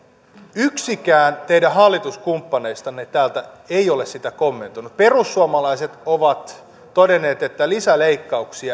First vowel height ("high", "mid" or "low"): high